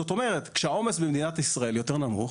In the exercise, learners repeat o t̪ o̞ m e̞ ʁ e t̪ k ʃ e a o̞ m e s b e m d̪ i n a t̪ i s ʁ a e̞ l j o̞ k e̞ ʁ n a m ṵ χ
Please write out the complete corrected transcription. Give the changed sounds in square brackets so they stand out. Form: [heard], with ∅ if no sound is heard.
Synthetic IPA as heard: o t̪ o̞ m e̞ ʁ e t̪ k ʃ e a o̞ m e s b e m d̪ i n a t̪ i s ʁ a e̞ l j o̞ [t] e̞ ʁ n a m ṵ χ